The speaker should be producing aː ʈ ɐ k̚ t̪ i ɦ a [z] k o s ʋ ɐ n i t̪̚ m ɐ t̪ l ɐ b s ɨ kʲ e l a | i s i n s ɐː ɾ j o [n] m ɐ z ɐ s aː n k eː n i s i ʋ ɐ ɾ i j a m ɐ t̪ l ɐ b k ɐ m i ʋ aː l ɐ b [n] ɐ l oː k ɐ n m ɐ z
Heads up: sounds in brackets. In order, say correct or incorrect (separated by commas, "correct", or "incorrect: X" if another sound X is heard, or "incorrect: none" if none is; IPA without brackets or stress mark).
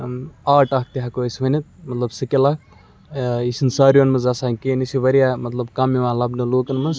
incorrect: none, correct, correct